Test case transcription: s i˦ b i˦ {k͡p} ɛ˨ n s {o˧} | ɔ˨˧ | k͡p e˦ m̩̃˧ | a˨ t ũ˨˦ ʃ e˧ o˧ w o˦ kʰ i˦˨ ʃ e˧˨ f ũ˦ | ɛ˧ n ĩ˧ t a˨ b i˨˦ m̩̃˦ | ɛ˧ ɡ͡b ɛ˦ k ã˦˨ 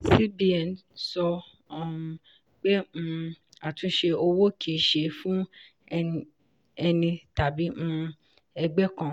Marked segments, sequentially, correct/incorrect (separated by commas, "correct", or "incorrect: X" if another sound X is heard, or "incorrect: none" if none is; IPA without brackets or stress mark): incorrect: none, incorrect: ɔ˧